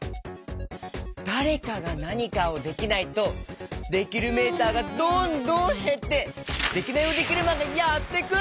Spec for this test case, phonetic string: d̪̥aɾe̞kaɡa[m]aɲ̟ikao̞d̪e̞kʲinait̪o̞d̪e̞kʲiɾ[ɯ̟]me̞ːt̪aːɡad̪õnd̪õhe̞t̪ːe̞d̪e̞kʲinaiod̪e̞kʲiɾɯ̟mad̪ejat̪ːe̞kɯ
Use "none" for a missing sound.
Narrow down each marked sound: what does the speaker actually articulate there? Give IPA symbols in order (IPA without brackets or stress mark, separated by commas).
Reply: n, ɯ̟